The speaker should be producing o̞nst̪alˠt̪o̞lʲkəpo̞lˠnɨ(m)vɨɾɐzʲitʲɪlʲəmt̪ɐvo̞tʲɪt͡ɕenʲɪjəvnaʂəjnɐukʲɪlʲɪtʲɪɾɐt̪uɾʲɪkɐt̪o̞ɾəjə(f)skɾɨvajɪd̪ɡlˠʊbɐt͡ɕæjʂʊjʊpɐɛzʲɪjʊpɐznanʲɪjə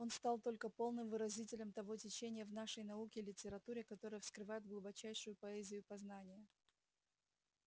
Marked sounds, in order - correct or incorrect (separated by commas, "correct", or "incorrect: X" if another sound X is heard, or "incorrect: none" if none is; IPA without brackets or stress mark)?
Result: correct, correct